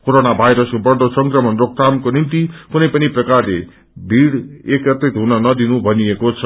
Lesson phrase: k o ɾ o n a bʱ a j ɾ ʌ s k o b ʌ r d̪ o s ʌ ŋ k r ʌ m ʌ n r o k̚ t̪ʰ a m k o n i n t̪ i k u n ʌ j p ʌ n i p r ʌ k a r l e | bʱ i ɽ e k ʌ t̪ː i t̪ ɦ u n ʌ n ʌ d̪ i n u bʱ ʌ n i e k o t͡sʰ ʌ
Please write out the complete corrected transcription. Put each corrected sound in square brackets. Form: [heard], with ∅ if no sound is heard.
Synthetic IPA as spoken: k o ɾ o n a bʱ a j ɾ ʌ s k o b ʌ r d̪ o s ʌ ŋ k r ʌ m ʌ n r o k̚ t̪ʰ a m k o n i n t̪ i k u n ʌ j p ʌ n i p r ʌ k a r l e | bʱ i ɽ e k ʌ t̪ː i t̪ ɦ u n ʌ n ʌ d̪ i n u bʱ ʌ n i e k o t͡sʰ ʌ